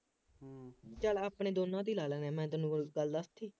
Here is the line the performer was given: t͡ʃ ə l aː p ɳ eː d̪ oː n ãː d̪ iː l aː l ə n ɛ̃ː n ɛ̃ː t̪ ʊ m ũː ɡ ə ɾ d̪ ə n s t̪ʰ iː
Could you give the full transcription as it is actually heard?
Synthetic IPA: t͡ʃ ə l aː p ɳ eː d̪ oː n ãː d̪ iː l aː l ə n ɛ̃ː m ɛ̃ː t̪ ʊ n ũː ɡ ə l d̪ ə s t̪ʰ iː

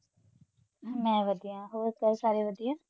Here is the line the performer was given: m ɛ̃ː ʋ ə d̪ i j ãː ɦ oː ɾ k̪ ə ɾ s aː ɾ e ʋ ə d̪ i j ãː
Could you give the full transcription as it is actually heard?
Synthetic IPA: m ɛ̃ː ʋ ə d̪ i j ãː ɦ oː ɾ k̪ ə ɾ s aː ɾ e ʋ ə d̪ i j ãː

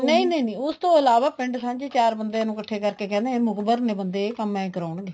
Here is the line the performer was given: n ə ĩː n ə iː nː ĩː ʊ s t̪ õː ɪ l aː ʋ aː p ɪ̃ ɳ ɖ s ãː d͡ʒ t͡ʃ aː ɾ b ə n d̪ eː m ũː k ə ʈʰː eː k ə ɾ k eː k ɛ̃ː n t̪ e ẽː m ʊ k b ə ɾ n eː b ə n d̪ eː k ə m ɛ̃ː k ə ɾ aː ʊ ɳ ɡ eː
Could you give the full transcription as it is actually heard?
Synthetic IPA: n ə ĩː n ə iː n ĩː ʊ s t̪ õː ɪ l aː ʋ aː p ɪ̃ ɳ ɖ s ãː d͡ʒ t͡ʃ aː ɾ b ə n d̪ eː n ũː k ə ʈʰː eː k ə ɾ k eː k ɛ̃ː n d̪ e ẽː m ʊ k b ə ɾ n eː b ə n d̪ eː k ə m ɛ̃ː k ə ɾ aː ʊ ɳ ɡ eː

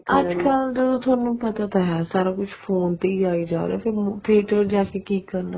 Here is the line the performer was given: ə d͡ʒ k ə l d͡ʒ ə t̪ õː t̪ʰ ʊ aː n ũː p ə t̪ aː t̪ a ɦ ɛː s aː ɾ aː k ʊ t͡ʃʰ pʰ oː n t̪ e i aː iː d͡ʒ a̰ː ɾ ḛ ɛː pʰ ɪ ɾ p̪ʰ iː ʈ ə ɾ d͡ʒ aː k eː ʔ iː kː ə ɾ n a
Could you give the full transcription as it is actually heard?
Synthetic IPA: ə d͡ʒ k ə l d͡ʒ ə d̪ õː t̪ʰ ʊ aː n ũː p ə t̪ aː t̪ a ɦ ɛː s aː ɾ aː k ʊ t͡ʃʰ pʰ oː n t̪ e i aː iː d͡ʒ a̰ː ɾ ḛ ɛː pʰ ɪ ɾ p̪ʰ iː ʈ ə ɾ d͡ʒ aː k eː k iː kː ə ɾ n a

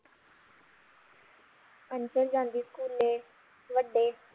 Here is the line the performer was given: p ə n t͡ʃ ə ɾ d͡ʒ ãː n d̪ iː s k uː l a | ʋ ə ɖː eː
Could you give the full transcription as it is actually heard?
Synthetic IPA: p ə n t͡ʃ ə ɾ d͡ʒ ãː n d̪ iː s k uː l e | ʋ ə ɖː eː

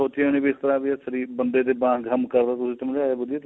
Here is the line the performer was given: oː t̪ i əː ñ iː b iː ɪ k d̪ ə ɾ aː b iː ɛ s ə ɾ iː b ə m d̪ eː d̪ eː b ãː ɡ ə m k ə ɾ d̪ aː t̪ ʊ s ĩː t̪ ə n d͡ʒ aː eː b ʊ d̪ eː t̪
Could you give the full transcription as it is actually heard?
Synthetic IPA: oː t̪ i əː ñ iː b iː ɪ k t̪ ə ɾ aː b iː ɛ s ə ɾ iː b ə n d̪ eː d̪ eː b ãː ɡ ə m k ə ɾ d̪ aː t̪ ʊ s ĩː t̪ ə m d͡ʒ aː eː b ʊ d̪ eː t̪

